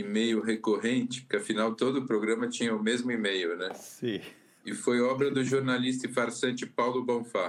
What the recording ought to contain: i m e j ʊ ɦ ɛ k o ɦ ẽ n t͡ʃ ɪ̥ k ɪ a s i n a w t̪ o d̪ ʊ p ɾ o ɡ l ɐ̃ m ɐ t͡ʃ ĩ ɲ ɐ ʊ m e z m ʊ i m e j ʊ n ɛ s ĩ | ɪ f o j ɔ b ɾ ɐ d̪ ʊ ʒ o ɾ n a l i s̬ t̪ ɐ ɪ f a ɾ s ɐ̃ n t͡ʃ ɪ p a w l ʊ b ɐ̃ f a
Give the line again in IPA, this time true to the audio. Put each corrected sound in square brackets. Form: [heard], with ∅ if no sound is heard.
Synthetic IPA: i m e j ʊ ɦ [e] k o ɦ ẽ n t͡ʃ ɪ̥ k ɪ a [f] i n a w t̪ o d̪ ʊ p ɾ o ɡ [ɾ] ɐ̃ m ɐ t͡ʃ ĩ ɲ ɐ ʊ m e z m ʊ i m e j ʊ n ɛ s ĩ | ɪ f o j ɔ b ɾ ɐ d̪ ʊ ʒ o ɾ n a l i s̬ t̪ ɐ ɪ f a ɾ s ɐ̃ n t͡ʃ ɪ p a w l ʊ b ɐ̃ f a